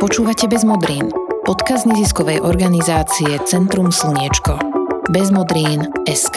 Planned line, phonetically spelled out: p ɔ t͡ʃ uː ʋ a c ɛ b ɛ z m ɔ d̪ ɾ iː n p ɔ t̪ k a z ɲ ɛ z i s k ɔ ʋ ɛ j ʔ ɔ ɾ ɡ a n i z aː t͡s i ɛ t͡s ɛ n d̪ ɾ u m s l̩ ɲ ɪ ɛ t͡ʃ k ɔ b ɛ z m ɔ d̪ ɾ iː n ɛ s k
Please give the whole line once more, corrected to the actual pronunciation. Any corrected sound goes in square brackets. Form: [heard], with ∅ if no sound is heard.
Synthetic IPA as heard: p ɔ t͡ʃ uː ʋ a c ɛ b ɛ z m ɔ d̪ ɾ iː n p ɔ t̪ k a z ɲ ɛ z i s k ɔ ʋ ɛ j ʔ ɔ ɾ ɡ a n i z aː t͡s i ɛ t͡s ɛ n [t̪] ɾ u m s l̩ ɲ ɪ ɛ t͡ʃ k ɔ b ɛ z m ɔ d̪ ɾ iː n ɛ s k